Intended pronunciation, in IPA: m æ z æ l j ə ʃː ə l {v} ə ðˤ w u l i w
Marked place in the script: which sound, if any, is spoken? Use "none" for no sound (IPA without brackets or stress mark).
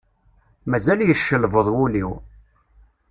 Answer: v